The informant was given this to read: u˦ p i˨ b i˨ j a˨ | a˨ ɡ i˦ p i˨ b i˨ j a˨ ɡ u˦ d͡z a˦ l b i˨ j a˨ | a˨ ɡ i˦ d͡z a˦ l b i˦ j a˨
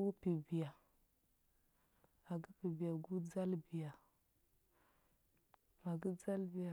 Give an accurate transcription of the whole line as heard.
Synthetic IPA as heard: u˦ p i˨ b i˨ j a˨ | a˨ ɡ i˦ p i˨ b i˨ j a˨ ɡ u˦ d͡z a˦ l b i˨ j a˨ | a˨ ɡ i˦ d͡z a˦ l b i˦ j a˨